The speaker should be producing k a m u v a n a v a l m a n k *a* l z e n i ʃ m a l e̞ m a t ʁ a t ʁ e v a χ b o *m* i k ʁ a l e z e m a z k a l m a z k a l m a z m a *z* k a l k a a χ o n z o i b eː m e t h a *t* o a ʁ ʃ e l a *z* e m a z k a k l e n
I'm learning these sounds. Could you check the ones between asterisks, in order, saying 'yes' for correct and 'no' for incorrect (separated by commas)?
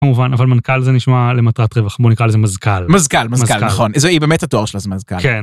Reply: yes, no, yes, yes, yes